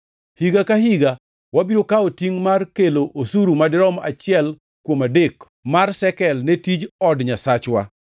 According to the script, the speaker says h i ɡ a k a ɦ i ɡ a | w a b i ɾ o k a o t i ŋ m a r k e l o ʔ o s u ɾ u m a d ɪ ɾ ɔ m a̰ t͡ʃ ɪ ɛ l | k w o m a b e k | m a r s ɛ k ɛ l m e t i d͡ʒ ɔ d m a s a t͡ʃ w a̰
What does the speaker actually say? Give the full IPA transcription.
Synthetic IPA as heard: h i ɡ a k a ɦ i ɡ a | w a b i ɾ o k a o t i ŋ m a r k e l o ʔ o s u ɾ u m a d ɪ ɾ ɔ m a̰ t͡ʃ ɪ ɛ l | k w o m a d e k | m a r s ɛ k ɛ l n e t i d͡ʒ ɔ d ɲ a s a t͡ʃ w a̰

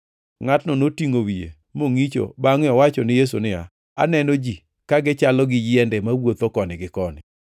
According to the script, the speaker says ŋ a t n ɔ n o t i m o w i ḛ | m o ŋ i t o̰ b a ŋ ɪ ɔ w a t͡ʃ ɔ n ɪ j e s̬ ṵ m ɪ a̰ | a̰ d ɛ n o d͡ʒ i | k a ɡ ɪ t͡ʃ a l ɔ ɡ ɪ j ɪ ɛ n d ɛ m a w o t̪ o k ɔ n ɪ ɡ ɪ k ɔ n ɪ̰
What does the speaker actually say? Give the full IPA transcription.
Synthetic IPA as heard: ŋ a t n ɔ n o t i ŋ o w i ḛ | m o ŋ i t͡ʃ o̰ b a ŋ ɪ ɔ w a t͡ʃ ɔ n ɪ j e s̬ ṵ n ɪ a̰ | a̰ n ɛ n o d͡ʒ i | k a ɡ ɪ t͡ʃ a l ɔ ɡ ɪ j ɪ ɛ n d ɛ m a w o t̪ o k ɔ n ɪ ɡ ɪ k ɔ n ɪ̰

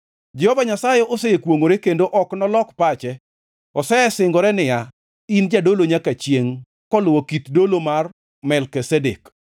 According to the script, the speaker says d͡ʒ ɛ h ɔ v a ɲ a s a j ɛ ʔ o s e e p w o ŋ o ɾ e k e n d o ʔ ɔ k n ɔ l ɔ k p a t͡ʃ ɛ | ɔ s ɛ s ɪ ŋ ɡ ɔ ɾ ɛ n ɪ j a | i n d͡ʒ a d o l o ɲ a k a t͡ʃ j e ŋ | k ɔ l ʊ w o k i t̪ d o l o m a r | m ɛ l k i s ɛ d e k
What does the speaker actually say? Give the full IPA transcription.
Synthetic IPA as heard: d͡ʒ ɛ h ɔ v a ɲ a s a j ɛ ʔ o s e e k w o ŋ o ɾ e k e n d o ʔ ɔ k n ɔ l ɔ k p a t͡ʃ ɛ | ɔ s ɛ s ɪ ŋ ɡ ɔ ɾ ɛ n ɪ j a | i n d͡ʒ a d o l o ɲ a k a t͡ʃ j e ŋ | k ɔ l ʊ w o k i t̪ d o l o m a r | m ɛ l k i s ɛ d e k

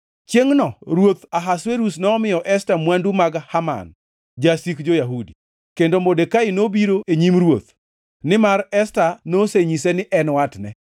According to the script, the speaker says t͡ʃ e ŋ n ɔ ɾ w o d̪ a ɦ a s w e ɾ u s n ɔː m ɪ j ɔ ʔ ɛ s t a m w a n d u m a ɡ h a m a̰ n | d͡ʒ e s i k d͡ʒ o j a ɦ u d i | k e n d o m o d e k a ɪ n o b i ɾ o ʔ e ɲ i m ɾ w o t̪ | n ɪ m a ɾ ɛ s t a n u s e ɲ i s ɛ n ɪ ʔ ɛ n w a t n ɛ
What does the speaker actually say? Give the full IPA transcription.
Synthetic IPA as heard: t͡ʃ e ŋ n ɔ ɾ w o t̪ a ɦ a s w e ɾ u s n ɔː m ɪ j ɔ ʔ ɛ s t a m w a n d u m a ɡ h a m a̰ n | d͡ʒ a s i k d͡ʒ o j a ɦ u d i | k e n d o m o d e k a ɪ n o b i ɾ o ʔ e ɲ i m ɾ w o t̪ | n ɪ m a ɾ ɛ s t a n o s e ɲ i s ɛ n ɪ ʔ ɛ n w a t n ɛ

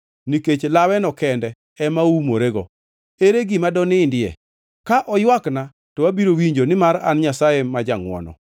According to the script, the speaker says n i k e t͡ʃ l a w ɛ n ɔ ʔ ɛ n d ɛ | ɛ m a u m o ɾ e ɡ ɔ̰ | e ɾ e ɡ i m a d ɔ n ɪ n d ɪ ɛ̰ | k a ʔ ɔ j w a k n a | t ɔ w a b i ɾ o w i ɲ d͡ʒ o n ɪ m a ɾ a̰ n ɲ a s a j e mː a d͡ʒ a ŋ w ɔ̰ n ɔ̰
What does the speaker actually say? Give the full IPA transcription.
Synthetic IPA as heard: n i k e t͡ʃ l a w ɛ n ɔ k ɛ n d ɛ | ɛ m a u m o ɾ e ɡ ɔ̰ | e ɾ e ɡ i m a d ɔ n ɪ n d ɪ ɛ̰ | k a ʔ ɔ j w a k n a | t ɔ w a b i ɾ o w i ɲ d͡ʒ o n ɪ m a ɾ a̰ n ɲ a s a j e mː a d͡ʒ a ŋ w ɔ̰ n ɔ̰

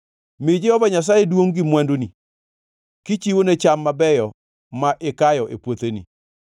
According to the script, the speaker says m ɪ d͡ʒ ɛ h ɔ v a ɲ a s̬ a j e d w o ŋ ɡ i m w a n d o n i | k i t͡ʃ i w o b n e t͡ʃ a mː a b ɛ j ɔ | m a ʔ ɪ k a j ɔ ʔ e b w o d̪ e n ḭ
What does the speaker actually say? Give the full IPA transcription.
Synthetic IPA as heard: m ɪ d͡ʒ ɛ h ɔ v a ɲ a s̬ a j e d w o ŋ ɡ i m w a n d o n i | k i t͡ʃ i w o n e t͡ʃ a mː a b ɛ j ɔ | m a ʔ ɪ k a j ɔ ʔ e p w o t̪ e n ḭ

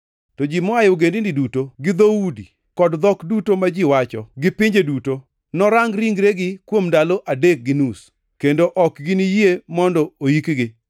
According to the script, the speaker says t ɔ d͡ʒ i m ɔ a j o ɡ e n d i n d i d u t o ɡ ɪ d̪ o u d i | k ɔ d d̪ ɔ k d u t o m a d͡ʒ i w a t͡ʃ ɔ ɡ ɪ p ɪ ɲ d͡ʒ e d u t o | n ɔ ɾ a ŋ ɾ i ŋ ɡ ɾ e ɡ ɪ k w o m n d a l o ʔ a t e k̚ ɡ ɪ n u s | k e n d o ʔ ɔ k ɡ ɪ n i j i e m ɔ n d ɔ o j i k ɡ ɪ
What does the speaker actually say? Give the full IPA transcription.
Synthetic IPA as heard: t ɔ d͡ʒ i m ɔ a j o ɡ e n d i n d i d u t o ɡ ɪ d̪ o u d i | k ɔ d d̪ ɔ k d u t o m a d͡ʒ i w a t͡ʃ ɔ ɡ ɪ p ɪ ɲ d͡ʒ e d u t o | n ɔ ɾ a ŋ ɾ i ŋ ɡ ɾ e ɡ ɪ k w o m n d a l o ʔ a d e k̚ ɡ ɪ n u s | k e n d o ʔ ɔ k ɡ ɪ n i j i e m ɔ n d ɔ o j i k ɡ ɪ

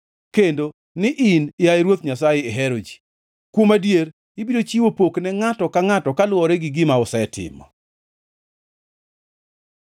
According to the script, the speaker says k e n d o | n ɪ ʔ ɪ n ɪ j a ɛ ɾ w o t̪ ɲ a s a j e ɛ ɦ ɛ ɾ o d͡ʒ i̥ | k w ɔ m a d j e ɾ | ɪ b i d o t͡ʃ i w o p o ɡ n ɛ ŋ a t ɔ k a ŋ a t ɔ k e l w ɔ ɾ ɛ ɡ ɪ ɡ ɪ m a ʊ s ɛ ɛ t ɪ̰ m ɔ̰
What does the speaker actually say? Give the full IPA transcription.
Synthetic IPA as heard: k e n d o | n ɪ ʔ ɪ n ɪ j a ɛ ɾ w o t̪ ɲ a s a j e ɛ ɦ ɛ ɾ o d͡ʒ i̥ | k w o m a d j e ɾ | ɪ b i d o t͡ʃ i w o p o k n ɛ ŋ a t ɔ k a ŋ a t ɔ k a l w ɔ ɾ ɛ ɡ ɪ ɡ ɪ m a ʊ s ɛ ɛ t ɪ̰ m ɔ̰

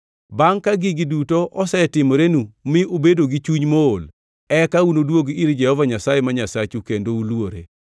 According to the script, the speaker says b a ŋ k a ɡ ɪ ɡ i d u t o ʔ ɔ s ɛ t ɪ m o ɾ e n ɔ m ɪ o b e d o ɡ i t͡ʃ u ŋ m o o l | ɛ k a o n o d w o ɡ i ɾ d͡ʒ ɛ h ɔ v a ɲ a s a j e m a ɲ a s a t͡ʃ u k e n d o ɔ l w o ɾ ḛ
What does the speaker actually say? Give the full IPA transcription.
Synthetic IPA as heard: b a ŋ k a ɡ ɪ ɡ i d u t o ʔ ɔ s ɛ t ɪ m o ɾ e n u m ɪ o b e d o ɡ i t͡ʃ u ɲ m o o l | ɛ k a u n o d w o ɡ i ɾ d͡ʒ ɛ h ɔ v a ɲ a s a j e m a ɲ a s a t͡ʃ u k e n d o u l w o ɾ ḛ

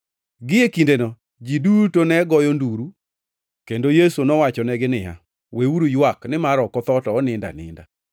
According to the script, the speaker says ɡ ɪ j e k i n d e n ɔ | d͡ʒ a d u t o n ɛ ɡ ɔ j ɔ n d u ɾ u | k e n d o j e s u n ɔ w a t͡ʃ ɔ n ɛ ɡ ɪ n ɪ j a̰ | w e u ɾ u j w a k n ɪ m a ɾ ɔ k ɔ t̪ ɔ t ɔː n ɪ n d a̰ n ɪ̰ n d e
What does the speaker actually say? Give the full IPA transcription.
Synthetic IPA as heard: ɡ ɪ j e k i n d e n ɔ | d͡ʒ i d u t o n ɛ ɡ ɔ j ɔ n d u ɾ u | k e n d o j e s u n ɔ w a t͡ʃ ɔ n ɛ ɡ ɪ n ɪ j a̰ | w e u ɾ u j w a k n ɪ m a ɾ ɔ k ɔ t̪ ɔ t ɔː n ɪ n d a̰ n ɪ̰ n d a

